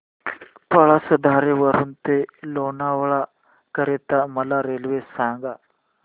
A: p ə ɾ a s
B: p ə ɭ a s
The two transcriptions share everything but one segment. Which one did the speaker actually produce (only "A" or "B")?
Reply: B